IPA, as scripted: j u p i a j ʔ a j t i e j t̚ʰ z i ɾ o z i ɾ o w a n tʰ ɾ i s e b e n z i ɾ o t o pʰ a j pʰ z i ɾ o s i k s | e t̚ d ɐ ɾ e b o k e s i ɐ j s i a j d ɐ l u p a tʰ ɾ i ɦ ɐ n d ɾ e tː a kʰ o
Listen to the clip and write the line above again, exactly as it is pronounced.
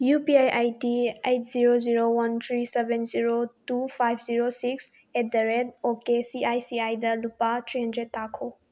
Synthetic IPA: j u p i a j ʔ a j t i e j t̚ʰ z i ɾ o z i ɾ o w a n tʰ ɾ i s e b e n z i ɾ o t u pʰ a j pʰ z i ɾ o s i k s | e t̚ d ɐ ɾ e d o k e s i a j s i a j d ɐ l u p a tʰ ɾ i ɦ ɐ n d ɾ e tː a kʰ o